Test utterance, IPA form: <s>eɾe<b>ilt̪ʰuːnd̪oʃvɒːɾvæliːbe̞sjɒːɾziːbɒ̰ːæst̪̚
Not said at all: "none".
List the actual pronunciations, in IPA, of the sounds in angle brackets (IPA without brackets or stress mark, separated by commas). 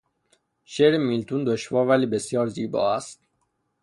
ʃ, m